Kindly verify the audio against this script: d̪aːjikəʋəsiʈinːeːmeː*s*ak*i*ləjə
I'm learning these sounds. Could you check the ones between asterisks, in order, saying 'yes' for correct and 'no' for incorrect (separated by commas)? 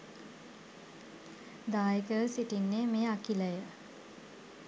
no, yes